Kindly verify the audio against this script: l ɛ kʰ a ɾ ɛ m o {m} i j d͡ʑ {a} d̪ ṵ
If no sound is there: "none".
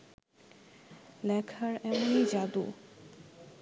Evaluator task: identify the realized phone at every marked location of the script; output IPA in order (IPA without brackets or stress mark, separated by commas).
n, a